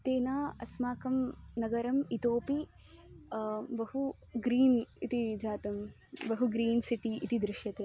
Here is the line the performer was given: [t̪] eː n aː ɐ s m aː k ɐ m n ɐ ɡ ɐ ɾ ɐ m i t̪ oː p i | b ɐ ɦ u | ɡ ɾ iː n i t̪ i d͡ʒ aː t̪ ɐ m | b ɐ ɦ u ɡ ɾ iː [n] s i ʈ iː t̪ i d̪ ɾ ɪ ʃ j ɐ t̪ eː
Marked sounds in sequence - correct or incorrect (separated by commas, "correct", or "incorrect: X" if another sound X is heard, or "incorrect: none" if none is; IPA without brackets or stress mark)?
correct, correct